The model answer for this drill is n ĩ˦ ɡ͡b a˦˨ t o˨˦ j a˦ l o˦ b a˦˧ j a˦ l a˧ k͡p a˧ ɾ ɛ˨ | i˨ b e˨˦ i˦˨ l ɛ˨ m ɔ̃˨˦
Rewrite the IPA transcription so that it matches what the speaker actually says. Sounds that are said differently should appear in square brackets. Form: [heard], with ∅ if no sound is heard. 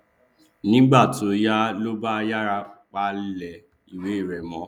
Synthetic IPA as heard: n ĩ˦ ɡ͡b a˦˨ t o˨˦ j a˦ l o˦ b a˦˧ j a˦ [ɾ] a˧ k͡p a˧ [l] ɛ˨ | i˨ [w] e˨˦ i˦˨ [ɾ] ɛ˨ m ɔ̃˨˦

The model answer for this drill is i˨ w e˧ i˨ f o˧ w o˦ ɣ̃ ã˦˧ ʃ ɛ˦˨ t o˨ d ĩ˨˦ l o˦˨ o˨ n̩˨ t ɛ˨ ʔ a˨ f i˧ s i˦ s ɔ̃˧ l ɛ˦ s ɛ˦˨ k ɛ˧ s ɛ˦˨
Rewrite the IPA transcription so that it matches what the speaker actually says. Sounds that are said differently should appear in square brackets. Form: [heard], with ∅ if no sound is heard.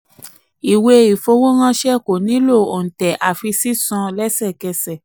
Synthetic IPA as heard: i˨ w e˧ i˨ f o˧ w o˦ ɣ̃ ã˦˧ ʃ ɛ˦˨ [k] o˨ [n] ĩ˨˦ l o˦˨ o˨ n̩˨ t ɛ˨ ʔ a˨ f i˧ s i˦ s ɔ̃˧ l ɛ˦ s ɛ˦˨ k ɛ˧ s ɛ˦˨

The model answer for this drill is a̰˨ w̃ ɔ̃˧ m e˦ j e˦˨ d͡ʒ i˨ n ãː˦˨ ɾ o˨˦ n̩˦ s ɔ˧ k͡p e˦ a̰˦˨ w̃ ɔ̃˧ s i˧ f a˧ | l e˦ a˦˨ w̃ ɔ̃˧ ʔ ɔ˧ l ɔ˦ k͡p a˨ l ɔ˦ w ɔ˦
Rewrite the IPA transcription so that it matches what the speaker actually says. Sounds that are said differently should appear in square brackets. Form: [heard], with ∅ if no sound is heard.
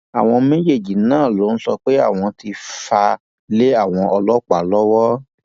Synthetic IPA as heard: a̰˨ w̃ ɔ̃˧ m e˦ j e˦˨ d͡ʒ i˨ n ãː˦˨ [l] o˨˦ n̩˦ s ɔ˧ k͡p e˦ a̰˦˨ w̃ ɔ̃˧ [t] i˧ f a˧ | l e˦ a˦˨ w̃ ɔ̃˧ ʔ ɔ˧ l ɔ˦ k͡p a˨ l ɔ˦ w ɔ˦

